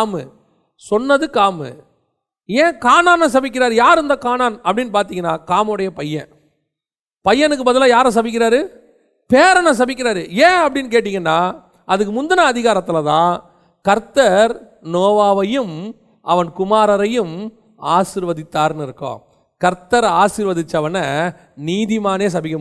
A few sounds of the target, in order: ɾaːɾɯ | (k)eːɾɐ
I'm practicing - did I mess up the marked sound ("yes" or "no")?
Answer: yes